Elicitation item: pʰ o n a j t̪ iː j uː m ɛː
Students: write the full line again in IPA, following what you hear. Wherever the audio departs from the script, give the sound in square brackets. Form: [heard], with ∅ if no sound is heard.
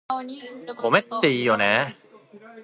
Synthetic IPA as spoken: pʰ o [m] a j t̪ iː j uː [n] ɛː

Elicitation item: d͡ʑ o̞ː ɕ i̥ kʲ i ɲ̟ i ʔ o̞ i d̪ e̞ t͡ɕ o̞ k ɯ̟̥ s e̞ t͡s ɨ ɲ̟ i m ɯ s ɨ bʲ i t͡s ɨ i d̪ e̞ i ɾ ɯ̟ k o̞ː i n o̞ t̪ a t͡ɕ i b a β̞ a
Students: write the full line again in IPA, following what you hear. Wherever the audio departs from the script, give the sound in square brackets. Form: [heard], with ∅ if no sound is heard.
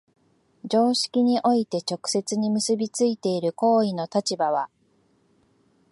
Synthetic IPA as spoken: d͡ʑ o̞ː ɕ i̥ kʲ i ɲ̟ i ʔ o̞ i [t̪] e̞ t͡ɕ o̞ k ɯ̟̥ s e̞ t͡s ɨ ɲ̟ i m ɯ s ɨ bʲ i t͡s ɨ i [t̪] e̞ i ɾ ɯ̟ k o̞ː i n o̞ t̪ a t͡ɕ i b a β̞ a

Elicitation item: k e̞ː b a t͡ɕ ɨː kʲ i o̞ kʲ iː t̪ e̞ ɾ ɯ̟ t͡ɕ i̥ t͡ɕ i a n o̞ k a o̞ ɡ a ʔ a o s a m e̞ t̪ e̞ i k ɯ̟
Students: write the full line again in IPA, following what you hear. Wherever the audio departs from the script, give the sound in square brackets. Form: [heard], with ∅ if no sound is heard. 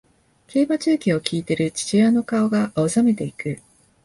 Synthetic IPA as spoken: k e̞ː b a t͡ɕ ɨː kʲ i o̞ kʲ iː t̪ e̞ ɾ ɯ̟ t͡ɕ i̥ t͡ɕ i a n o̞ k a o̞ ɡ a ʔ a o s a m e̞ t̪ e̞ i k ɯ̟

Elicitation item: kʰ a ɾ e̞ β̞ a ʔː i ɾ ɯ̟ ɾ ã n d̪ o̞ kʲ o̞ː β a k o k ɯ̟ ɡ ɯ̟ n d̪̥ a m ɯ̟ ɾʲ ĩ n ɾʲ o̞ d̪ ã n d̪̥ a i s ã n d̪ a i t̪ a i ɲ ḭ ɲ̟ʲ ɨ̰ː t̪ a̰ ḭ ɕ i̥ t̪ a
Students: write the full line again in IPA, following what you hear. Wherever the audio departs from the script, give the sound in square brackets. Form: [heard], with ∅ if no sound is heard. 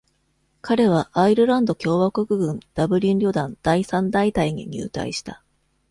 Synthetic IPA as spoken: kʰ a ɾ e̞ β̞ a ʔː i ɾ ɯ̟ ɾ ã n d̪ o̞ kʲ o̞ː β a k o k ɯ̟ ɡ [ɯ̟̃] n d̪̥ a [b] ɯ̟ ɾʲ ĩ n ɾʲ o̞ d̪ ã n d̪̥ a i s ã n d̪ a i t̪ a i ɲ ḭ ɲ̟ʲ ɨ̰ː t̪ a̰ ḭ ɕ i̥ t̪ a

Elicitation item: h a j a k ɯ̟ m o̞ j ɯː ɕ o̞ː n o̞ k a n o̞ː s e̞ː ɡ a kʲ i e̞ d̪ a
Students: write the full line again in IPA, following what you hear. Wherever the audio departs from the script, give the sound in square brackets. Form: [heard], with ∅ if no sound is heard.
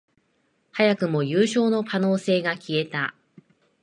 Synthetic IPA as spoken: h a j a k ɯ̟ m o̞ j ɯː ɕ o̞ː n o̞ k a n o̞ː s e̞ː ɡ a kʲ i e̞ [t̪] a

